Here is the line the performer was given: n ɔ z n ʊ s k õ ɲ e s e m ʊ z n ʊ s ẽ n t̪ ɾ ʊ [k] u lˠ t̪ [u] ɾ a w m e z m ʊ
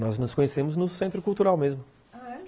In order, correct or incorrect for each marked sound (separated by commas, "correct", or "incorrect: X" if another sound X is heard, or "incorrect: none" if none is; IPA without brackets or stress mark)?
correct, correct